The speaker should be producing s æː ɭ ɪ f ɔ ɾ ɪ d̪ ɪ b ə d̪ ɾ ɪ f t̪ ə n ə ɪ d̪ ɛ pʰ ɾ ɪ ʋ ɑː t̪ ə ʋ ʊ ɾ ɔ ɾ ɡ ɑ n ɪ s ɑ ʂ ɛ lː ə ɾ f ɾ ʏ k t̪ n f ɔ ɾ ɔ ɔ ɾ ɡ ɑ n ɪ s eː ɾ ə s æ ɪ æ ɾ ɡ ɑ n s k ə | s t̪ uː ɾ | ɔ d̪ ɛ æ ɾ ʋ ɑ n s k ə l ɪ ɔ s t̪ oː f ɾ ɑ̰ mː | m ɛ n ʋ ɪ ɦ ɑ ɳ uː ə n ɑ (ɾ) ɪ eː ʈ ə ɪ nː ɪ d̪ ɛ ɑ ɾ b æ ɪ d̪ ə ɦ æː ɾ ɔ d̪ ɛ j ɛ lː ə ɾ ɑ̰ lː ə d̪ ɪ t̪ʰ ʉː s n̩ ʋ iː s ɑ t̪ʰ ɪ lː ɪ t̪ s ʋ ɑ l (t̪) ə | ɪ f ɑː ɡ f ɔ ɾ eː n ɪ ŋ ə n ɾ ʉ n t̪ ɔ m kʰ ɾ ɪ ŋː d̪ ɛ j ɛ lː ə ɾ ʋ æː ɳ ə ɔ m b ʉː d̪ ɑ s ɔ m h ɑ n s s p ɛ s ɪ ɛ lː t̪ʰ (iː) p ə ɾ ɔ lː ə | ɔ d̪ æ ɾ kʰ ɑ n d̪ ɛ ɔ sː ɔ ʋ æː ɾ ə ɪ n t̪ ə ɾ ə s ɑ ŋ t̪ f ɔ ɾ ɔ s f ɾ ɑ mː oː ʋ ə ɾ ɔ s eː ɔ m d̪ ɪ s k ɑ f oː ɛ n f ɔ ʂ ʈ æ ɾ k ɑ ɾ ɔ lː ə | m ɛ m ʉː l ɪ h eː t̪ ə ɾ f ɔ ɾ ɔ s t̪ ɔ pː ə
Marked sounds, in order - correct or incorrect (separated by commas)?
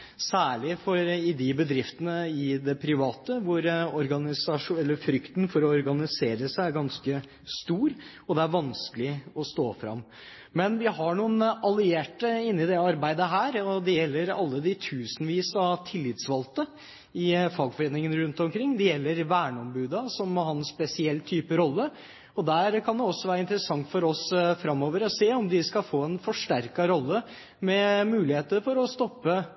incorrect, correct, incorrect